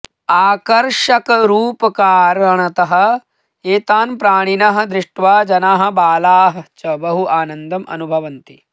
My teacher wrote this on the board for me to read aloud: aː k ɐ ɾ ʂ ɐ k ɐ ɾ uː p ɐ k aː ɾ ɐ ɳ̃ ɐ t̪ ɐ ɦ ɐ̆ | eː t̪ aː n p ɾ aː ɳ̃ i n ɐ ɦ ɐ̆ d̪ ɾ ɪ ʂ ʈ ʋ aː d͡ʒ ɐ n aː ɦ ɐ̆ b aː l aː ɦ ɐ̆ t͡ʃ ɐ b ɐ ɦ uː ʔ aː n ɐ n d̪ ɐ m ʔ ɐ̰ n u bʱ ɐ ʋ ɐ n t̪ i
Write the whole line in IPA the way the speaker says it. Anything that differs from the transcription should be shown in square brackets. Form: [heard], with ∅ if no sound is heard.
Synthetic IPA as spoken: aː k ɐ ɾ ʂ ɐ k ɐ ɾ uː p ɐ k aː ɾ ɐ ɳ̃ ɐ t̪ ɐ ɦ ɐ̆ | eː t̪ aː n p ɾ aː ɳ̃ i n ɐ ɦ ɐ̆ d̪ ɾ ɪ ʂ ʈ ʋ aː d͡ʒ ɐ n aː ɦ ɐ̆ b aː l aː ɦ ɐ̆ t͡ʃ ɐ b ɐ ɦ [u] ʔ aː n ɐ n d̪ ɐ m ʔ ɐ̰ n u bʱ ɐ ʋ ɐ n t̪ i

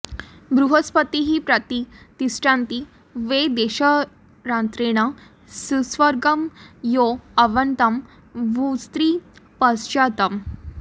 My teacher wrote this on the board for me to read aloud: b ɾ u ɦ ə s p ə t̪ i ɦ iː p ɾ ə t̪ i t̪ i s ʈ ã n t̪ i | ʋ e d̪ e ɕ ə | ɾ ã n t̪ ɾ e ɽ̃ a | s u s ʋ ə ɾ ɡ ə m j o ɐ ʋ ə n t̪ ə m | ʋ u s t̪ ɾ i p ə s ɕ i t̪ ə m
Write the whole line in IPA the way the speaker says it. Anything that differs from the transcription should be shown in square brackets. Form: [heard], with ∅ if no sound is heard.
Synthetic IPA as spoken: b ɾ u ɦ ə s p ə t̪ i ɦ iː p ɾ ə t̪ i t̪ i s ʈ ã n t̪ i | ʋ e d̪ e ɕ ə | ɾ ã n t̪ ɾ e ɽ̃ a | s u s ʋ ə ɾ ɡ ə m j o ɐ ʋ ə n t̪ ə m | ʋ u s t̪ ɾ i p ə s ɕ [a] t̪ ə m

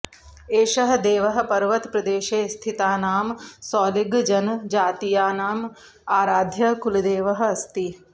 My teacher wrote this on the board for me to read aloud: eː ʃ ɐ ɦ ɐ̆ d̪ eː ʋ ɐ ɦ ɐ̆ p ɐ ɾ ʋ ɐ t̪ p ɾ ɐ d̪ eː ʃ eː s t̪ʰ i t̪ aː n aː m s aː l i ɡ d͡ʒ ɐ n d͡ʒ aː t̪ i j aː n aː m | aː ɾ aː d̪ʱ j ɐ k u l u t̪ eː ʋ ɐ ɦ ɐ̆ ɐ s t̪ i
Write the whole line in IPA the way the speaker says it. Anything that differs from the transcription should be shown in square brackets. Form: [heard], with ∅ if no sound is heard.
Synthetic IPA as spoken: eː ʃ ɐ ɦ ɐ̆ d̪ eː ʋ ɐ ɦ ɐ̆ p ɐ ɾ ʋ ɐ t̪ p ɾ ɐ d̪ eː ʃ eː s t̪ʰ i t̪ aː n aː m s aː l i ɡ d͡ʒ ɐ n d͡ʒ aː t̪ i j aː n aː m | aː ɾ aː d̪ʱ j ɐ k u l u [d̪] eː ʋ ɐ ɦ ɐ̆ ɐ s t̪ i

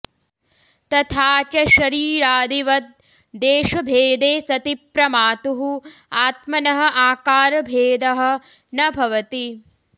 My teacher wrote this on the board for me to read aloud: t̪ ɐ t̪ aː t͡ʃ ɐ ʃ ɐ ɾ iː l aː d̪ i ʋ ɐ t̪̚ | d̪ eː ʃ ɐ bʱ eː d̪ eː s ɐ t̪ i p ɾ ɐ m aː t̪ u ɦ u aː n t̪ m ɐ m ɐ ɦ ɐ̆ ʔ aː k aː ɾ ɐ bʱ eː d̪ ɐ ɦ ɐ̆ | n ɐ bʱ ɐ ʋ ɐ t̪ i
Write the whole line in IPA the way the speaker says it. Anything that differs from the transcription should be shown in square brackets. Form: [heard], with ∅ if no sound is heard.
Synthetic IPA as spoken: t̪ ɐ [t̪ʰ] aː t͡ʃ ɐ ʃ ɐ ɾ iː [ɾ] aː d̪ i ʋ ɐ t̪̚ | d̪ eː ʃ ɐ bʱ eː d̪ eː s ɐ t̪ i p ɾ ɐ m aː t̪ u ɦ u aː [∅] t̪ m ɐ [n] ɐ ɦ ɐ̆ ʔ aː k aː ɾ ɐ bʱ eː d̪ ɐ ɦ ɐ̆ | n ɐ bʱ ɐ ʋ ɐ t̪ i

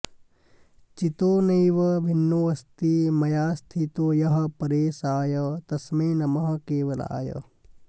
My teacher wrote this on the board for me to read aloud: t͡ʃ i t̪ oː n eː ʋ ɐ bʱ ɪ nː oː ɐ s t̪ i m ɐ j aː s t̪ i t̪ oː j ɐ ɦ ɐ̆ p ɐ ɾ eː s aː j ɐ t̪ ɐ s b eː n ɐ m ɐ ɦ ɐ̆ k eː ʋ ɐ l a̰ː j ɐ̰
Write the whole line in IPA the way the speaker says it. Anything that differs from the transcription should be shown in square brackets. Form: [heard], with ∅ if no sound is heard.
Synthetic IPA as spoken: t͡ʃ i t̪ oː n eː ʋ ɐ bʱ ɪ nː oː ɐ s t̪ i m ɐ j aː s [t̪ʰ] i t̪ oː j ɐ ɦ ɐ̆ p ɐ ɾ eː s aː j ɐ t̪ ɐ s [m] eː n ɐ m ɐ ɦ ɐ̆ k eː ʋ ɐ l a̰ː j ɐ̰

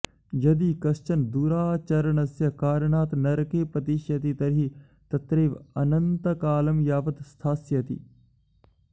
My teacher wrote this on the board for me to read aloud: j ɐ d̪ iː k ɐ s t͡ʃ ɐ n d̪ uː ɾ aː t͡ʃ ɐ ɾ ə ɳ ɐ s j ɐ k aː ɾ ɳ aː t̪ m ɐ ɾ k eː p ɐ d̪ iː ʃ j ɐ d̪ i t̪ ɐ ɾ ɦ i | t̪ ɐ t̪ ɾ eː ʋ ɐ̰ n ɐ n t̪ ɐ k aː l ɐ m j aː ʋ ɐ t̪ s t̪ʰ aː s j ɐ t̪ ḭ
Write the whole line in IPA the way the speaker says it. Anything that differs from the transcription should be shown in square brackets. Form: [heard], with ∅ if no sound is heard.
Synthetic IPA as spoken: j ɐ d̪ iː k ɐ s t͡ʃ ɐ n d̪ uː ɾ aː t͡ʃ ɐ ɾ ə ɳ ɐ s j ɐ k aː ɾ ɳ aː t̪ [n] ɐ ɾ k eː p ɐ [t̪] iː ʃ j ɐ [t̪] i t̪ ɐ ɾ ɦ i | t̪ ɐ t̪ ɾ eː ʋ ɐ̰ n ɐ n t̪ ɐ k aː l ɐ m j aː ʋ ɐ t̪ s t̪ʰ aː s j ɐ t̪ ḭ

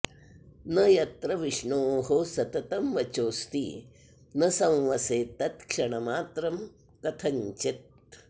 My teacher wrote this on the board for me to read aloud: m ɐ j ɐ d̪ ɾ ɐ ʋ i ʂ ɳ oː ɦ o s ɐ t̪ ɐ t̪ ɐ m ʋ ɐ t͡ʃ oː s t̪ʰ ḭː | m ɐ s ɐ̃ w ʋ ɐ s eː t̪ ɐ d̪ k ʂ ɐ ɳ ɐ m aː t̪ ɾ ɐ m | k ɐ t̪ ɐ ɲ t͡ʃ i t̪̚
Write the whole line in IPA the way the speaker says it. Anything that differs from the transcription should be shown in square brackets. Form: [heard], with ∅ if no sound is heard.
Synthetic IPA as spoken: [n] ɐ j ɐ [t̪] ɾ ɐ ʋ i ʂ ɳ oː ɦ o s ɐ t̪ ɐ t̪ ɐ m ʋ ɐ t͡ʃ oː s [t̪] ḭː | [n] ɐ s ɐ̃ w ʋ ɐ s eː t̪ ɐ [t̪] k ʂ ɐ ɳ ɐ m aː t̪ ɾ ɐ m | k ɐ [t̪ʰ] ɐ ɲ t͡ʃ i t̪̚

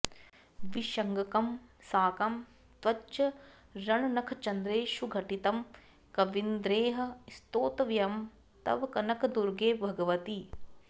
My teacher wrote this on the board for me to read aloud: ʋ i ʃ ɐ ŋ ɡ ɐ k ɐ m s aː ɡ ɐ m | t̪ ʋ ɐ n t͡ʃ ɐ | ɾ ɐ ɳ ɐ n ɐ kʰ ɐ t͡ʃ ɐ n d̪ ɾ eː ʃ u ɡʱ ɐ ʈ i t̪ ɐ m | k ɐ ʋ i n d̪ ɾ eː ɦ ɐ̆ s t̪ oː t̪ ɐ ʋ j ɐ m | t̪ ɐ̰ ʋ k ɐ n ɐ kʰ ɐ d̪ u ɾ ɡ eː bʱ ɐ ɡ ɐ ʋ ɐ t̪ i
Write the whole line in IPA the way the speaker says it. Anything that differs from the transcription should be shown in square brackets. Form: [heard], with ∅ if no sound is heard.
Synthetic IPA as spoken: ʋ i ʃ ɐ ŋ ɡ ɐ k ɐ m s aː [k] ɐ m | t̪ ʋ ɐ [∅] t͡ʃ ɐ | ɾ ɐ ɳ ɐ n ɐ kʰ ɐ t͡ʃ ɐ n d̪ ɾ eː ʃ u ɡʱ ɐ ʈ i t̪ ɐ m | k ɐ ʋ i n d̪ ɾ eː ɦ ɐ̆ s t̪ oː t̪ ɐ ʋ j ɐ m | t̪ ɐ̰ ʋ k ɐ n ɐ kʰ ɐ d̪ u ɾ ɡ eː bʱ ɐ ɡ ɐ ʋ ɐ t̪ i

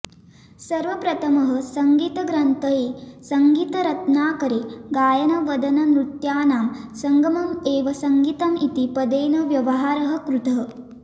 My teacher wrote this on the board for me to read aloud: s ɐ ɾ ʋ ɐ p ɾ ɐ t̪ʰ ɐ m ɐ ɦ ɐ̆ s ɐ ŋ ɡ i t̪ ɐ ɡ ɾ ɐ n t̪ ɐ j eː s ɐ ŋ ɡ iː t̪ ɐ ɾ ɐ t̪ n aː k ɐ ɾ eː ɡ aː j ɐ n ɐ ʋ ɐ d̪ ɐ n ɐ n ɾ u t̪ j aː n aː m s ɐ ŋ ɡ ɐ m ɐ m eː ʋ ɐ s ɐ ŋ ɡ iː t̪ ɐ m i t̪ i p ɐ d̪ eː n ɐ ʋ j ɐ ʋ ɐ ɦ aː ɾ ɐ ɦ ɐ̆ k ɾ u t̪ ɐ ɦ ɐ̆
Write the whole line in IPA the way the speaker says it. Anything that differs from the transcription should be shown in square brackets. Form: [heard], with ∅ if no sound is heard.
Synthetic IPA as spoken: s ɐ ɾ ʋ ɐ p ɾ ɐ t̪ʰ ɐ m ɐ ɦ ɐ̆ s ɐ ŋ ɡ [iː] t̪ ɐ ɡ ɾ ɐ n t̪ ɐ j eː s ɐ ŋ ɡ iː t̪ ɐ ɾ ɐ t̪ n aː k ɐ ɾ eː ɡ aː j ɐ n ɐ ʋ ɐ d̪ ɐ n ɐ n ɾ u t̪ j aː n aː m s ɐ ŋ ɡ ɐ m ɐ m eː ʋ ɐ s ɐ ŋ ɡ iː t̪ ɐ m i t̪ i p ɐ d̪ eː n ɐ ʋ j ɐ ʋ ɐ ɦ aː ɾ ɐ ɦ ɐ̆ k ɾ u t̪ ɐ ɦ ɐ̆

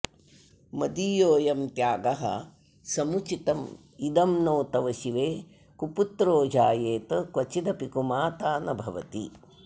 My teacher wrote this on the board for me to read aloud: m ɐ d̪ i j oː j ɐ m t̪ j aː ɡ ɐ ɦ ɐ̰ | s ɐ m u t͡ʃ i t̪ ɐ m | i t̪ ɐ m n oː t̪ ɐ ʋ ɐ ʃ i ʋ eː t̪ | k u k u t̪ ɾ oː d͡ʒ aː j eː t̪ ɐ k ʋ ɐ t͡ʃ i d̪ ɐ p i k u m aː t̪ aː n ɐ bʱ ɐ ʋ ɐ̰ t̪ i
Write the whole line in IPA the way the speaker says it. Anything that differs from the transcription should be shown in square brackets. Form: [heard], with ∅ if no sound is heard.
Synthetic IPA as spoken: m ɐ d̪ i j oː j ɐ m t̪ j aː ɡ ɐ ɦ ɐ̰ | s ɐ m u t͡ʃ i t̪ ɐ m | i [d̪] ɐ m n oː t̪ ɐ ʋ ɐ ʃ i ʋ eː [∅] | k u [p] u t̪ ɾ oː d͡ʒ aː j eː t̪ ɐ k ʋ ɐ t͡ʃ i d̪ ɐ p i k u m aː t̪ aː n ɐ bʱ ɐ ʋ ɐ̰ t̪ i

